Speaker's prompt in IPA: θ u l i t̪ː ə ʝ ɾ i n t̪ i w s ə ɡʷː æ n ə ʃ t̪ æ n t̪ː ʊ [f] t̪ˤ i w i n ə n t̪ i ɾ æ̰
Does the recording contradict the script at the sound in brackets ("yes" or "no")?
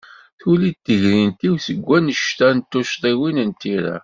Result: yes